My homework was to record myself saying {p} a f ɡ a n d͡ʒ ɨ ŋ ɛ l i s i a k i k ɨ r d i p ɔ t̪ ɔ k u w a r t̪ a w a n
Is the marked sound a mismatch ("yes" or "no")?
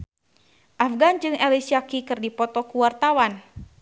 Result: yes